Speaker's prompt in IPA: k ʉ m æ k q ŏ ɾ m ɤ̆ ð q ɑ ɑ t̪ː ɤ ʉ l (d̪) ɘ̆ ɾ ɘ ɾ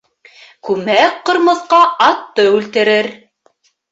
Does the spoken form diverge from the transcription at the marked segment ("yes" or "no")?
yes